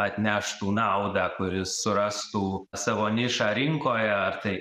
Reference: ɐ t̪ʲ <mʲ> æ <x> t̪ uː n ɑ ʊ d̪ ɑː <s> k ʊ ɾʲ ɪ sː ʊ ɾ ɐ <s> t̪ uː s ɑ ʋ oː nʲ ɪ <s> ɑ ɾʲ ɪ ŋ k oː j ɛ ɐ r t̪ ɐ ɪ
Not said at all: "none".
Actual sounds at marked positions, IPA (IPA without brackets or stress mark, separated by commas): nʲ, ʃ, none, s, ʃ